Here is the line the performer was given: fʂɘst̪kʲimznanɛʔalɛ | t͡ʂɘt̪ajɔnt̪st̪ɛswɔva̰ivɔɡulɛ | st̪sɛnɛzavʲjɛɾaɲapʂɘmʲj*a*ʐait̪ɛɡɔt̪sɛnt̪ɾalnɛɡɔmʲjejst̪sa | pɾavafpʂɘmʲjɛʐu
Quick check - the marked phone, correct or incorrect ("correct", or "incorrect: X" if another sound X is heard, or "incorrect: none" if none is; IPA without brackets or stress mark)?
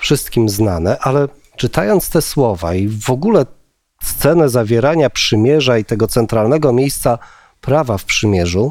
incorrect: ɛ